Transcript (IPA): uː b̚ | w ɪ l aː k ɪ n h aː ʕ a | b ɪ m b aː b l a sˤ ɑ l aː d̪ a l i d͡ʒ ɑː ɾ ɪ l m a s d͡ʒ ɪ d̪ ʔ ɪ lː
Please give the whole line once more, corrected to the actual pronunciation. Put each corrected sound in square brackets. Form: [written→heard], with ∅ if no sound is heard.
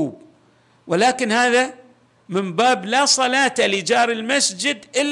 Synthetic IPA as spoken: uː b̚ | w ɪ l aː k ɪ n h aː [ʕ→ð] a | [b→m] ɪ m b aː b l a sˤ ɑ l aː [d̪→t̪] a l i d͡ʒ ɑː ɾ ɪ l m a s d͡ʒ ɪ d̪ ʔ ɪ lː